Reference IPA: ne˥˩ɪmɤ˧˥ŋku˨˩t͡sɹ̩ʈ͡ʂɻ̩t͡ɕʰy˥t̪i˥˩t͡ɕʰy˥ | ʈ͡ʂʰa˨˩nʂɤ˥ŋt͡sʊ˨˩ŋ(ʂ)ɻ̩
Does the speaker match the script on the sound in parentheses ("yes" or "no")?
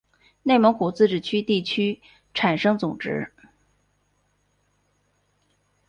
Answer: no